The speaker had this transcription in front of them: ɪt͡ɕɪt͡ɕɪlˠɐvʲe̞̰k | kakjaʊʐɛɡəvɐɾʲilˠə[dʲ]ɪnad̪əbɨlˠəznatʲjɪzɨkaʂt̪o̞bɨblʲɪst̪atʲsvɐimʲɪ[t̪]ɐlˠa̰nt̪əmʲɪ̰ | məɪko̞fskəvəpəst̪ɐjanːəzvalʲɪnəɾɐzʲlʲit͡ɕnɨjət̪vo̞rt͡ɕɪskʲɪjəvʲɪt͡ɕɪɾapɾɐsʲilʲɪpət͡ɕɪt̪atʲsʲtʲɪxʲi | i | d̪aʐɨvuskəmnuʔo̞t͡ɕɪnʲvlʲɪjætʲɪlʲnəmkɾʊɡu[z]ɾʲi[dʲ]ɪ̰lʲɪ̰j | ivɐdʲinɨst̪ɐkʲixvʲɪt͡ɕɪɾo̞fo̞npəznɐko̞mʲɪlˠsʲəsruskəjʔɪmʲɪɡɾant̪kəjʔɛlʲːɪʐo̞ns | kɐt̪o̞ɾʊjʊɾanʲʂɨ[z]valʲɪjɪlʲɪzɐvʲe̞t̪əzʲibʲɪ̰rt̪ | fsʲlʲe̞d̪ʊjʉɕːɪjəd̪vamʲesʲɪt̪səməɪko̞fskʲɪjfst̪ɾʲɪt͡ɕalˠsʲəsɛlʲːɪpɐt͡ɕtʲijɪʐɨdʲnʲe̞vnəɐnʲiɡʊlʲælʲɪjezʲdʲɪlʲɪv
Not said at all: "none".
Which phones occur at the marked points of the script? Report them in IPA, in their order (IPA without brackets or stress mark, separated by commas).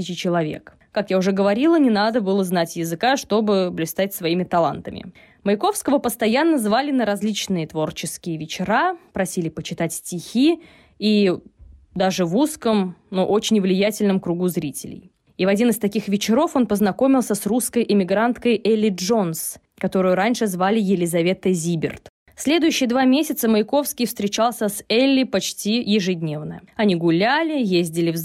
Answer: nʲ, t̪, z, tʲ, z